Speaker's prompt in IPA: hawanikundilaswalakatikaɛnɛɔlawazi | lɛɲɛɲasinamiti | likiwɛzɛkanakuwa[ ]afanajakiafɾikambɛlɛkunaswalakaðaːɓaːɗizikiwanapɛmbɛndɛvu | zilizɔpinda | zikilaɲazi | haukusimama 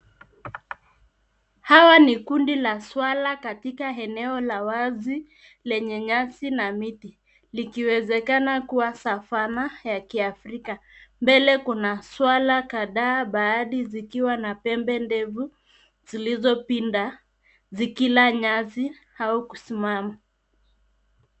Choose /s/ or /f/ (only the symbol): s